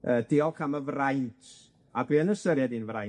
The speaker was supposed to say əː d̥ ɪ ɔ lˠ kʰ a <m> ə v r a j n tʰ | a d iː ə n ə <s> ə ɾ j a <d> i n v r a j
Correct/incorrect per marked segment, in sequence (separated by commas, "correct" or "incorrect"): correct, correct, correct